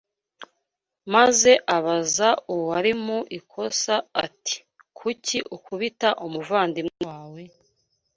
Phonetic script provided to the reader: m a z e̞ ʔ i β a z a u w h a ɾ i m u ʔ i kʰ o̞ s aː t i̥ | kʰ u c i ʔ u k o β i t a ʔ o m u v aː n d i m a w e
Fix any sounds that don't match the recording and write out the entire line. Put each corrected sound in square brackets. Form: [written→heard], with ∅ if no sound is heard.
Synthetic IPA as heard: m a z e̞ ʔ [i→a] β a z a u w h a ɾ i m u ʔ i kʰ o̞ s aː t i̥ | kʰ u c i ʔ u k [o→u] β i t a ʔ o m u v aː n d i m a w e